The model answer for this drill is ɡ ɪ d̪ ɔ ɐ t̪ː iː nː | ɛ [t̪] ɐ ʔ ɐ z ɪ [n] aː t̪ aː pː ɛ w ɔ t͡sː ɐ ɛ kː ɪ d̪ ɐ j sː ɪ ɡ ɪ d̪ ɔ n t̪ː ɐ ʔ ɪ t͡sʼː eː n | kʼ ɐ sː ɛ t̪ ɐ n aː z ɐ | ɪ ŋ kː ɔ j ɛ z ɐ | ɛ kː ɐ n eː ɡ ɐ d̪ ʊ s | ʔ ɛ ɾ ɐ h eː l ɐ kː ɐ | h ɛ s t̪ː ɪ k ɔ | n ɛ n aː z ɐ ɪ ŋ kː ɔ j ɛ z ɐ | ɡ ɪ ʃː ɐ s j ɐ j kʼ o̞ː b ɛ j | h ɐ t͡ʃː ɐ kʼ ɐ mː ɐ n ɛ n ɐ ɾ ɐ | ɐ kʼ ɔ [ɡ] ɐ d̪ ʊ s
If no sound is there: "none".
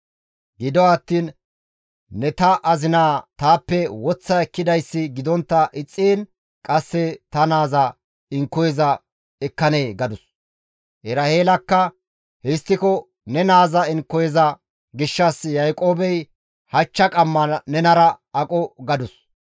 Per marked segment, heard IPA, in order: t̪, n, ɡ

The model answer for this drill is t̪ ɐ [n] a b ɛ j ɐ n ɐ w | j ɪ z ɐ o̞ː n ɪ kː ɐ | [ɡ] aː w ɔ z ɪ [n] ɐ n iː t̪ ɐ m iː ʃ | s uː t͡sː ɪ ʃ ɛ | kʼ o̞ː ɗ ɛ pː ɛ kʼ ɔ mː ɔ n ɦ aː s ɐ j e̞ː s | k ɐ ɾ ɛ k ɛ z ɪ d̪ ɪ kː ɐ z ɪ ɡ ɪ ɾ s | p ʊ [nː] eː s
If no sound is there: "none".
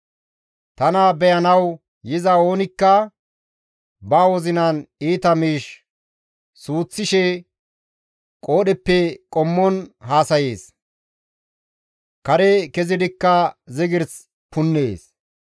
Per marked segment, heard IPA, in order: n, b, n, nː

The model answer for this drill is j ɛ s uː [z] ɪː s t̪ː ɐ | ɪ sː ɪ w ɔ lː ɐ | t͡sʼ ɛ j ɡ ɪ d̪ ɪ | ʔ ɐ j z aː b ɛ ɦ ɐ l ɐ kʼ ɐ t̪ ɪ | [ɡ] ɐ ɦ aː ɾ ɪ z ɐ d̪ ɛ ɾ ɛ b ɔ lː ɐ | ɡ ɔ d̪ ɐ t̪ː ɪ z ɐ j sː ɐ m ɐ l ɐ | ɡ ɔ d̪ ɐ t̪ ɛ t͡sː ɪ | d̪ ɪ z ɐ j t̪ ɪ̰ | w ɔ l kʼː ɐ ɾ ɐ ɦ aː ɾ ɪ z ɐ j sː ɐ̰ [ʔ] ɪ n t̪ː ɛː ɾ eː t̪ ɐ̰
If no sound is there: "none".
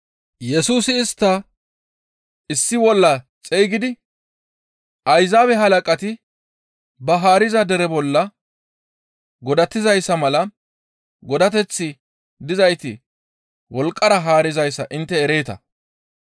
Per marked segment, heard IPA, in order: s, b, ʔ

